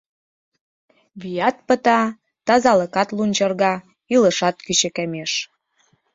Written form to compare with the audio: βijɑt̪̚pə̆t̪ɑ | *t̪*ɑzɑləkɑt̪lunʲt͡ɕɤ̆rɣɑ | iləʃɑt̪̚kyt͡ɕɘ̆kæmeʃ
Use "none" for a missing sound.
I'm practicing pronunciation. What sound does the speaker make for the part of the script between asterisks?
t̪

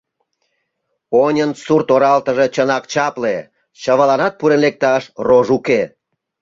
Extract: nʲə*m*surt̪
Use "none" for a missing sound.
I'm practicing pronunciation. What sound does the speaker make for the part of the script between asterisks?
n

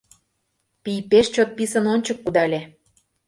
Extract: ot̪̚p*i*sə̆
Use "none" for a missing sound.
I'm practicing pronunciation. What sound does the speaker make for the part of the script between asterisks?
i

